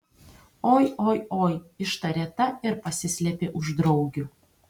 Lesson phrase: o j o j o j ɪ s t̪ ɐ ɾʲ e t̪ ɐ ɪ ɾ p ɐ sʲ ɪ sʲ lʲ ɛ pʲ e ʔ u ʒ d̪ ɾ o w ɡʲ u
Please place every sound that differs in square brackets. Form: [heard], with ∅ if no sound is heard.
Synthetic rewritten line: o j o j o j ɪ [ʃ] t̪ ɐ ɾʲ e t̪ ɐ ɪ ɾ p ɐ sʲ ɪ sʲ lʲ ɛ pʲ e ʔ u ʒ d̪ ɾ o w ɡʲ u

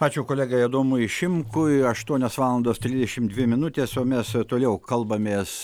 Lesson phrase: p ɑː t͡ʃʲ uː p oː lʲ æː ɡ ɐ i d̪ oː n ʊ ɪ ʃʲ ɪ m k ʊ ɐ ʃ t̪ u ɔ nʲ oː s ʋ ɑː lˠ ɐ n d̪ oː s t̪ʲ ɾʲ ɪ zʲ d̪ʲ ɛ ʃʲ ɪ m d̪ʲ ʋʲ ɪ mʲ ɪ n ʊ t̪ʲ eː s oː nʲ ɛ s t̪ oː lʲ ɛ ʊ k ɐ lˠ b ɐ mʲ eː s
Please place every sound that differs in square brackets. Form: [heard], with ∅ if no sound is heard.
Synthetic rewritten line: p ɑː t͡ʃʲ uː [k] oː lʲ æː ɡ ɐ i d̪ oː [m] ʊ ɪ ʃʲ ɪ m k ʊ ɐ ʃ t̪ u ɔ nʲ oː s ʋ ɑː lˠ ɐ n d̪ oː s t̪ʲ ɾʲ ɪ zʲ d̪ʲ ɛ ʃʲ ɪ m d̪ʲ ʋʲ ɪ mʲ ɪ n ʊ t̪ʲ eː s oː [mʲ] ɛ s t̪ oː lʲ ɛ ʊ k ɐ lˠ b ɐ mʲ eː s

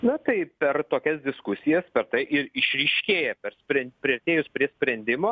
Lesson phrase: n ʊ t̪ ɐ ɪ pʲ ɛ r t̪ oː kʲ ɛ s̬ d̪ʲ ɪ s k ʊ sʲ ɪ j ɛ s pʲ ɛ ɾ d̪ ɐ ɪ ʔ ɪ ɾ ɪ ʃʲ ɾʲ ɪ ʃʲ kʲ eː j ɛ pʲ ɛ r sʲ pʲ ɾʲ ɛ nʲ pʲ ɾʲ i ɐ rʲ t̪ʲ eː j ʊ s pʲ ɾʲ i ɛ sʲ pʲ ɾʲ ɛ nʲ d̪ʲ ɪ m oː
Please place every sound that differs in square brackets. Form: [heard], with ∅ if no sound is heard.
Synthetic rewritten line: n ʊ t̪ ɐ ɪ pʲ ɛ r t̪ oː kʲ ɛ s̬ d̪ʲ ɪ s k ʊ sʲ ɪ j ɛ s pʲ ɛ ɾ [t̪] ɐ ɪ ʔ ɪ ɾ ɪ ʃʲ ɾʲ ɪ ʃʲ kʲ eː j ɛ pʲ ɛ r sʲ pʲ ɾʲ ɛ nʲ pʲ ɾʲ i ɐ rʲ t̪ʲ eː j ʊ s pʲ ɾʲ i ɛ sʲ pʲ ɾʲ ɛ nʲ d̪ʲ ɪ m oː

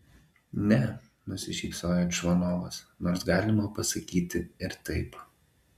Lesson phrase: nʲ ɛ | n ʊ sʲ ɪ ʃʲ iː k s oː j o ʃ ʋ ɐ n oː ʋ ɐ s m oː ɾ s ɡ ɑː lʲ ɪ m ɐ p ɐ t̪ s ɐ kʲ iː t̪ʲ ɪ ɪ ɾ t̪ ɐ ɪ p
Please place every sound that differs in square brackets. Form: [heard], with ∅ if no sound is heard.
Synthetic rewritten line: nʲ ɛ | n ʊ sʲ ɪ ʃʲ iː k s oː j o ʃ ʋ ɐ n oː ʋ ɐ s [n] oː ɾ s ɡ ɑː lʲ ɪ m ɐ p ɐ [∅] s ɐ kʲ iː t̪ʲ ɪ ɪ ɾ t̪ ɐ ɪ p

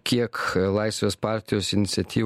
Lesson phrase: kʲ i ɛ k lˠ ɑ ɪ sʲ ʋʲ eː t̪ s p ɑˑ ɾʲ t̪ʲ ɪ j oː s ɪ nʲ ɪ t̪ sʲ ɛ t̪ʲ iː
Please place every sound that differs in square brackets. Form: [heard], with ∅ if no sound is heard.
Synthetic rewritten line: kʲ i ɛ k lˠ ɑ ɪ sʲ ʋʲ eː [∅] s p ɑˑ ɾʲ t̪ʲ ɪ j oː s ɪ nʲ ɪ t̪ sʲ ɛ t̪ʲ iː

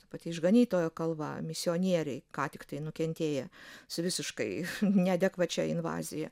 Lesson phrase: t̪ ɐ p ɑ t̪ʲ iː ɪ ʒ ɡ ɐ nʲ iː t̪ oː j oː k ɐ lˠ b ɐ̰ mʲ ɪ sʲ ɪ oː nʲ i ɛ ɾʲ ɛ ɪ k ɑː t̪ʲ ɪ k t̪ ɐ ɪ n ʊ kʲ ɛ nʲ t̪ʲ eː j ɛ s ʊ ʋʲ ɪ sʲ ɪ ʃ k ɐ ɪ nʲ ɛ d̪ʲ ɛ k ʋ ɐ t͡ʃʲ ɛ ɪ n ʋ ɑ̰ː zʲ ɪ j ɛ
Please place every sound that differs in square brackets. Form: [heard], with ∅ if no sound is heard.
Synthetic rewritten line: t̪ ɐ p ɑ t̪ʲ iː ɪ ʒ ɡ ɐ nʲ iː t̪ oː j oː k ɐ lˠ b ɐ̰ mʲ ɪ sʲ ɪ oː nʲ i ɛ ɾʲ ɛ ɪ k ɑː t̪ʲ ɪ k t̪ ɐ ɪ n ʊ kʲ ɛ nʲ t̪ʲ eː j ɛ s ʊ ʋʲ ɪ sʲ ɪ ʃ k ɐ ɪ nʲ ɛ d̪ʲ ɛ k ʋ ɐ t͡ʃʲ ɛ ɪ n ʋ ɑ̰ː zʲ ɪ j ɛ

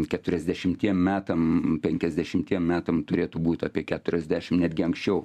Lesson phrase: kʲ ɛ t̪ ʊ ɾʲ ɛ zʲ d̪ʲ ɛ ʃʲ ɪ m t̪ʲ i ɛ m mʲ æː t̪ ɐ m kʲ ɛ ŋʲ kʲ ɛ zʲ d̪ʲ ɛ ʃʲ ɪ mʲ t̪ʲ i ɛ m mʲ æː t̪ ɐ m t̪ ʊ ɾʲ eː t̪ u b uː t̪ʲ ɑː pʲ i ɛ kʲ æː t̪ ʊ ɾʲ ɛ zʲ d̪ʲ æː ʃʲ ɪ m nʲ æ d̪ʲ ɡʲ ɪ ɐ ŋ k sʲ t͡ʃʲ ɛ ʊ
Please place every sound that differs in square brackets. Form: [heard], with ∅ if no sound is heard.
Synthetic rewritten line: kʲ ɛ t̪ ʊ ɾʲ ɛ zʲ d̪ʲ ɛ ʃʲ ɪ m t̪ʲ i ɛ m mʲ æː t̪ ɐ m [pʲ] ɛ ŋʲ kʲ ɛ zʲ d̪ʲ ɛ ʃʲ ɪ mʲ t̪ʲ i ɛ m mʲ æː t̪ ɐ m t̪ ʊ ɾʲ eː t̪ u b uː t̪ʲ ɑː pʲ i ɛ kʲ æː t̪ ʊ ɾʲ ɛ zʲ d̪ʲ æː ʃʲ ɪ m nʲ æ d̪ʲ ɡʲ ɪ ɐ ŋ k sʲ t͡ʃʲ ɛ ʊ

